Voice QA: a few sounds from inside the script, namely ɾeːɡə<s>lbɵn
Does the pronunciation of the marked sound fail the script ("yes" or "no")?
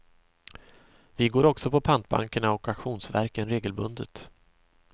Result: yes